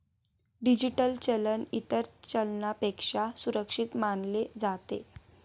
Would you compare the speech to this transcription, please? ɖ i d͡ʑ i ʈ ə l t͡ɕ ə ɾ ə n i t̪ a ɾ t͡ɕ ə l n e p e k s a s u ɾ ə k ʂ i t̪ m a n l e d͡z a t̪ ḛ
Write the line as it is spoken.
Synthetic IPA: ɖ i d͡ʑ i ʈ ə l t͡ɕ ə l ə n i t̪ ə ɾ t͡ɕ ə l n a p e k ʂ a s u ɾ ə k ʂ i t̪ m a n l e d͡z a t̪ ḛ